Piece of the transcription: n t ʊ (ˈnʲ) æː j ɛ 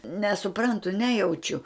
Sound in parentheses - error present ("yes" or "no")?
no